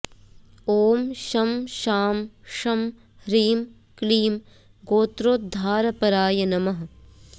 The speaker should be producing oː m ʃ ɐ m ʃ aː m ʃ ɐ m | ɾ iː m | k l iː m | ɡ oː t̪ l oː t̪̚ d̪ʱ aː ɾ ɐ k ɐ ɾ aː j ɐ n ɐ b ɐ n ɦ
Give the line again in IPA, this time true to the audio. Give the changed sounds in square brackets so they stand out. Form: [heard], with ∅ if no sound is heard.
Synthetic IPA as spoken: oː m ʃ ɐ m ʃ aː m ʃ ɐ m | ɾ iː m | k l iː m | ɡ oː t̪ [ɾ] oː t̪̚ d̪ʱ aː ɾ ɐ [p] ɐ ɾ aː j ɐ n ɐ [m] ɐ [∅] ɦ